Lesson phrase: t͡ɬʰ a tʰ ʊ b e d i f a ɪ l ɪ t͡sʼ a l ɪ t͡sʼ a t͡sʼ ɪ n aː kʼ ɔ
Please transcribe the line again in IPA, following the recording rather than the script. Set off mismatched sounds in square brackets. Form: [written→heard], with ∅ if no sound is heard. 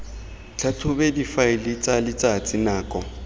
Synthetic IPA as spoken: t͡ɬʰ a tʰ ʊ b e d i f a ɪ l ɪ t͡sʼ a l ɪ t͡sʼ a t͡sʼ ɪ n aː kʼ ɔ